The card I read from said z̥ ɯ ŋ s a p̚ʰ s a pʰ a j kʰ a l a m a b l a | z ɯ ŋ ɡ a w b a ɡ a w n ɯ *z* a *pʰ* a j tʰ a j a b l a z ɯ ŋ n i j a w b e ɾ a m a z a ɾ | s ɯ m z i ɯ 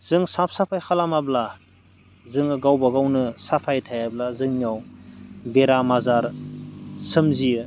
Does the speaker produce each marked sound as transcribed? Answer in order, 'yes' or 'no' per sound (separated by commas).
no, yes